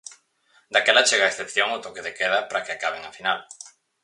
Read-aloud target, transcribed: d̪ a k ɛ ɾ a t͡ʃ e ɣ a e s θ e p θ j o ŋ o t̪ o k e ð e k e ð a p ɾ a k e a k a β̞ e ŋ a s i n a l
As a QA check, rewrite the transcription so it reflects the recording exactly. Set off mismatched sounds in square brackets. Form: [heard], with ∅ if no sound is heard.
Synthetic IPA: d̪ a k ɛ [l] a t͡ʃ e ɣ a e s θ e p θ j o ŋ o t̪ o k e ð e k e ð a p ɾ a k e a k a β̞ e ŋ a [f] i n a l